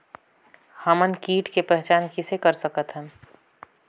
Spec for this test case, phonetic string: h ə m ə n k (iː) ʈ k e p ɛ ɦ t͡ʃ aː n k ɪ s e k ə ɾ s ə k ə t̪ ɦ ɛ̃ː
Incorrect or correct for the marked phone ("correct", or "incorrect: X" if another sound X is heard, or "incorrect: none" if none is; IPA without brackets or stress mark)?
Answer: correct